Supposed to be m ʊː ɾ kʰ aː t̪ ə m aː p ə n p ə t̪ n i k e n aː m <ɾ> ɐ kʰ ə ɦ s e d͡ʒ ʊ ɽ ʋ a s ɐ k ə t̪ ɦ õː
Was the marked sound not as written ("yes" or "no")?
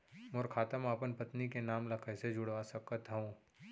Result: yes